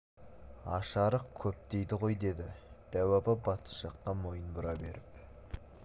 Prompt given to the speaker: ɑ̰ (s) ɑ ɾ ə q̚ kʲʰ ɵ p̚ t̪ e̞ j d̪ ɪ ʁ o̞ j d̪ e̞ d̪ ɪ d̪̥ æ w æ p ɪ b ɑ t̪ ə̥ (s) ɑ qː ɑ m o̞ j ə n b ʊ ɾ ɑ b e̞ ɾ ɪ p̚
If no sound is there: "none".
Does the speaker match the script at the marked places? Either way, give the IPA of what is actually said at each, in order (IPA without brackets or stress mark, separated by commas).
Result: ʃ, ʃ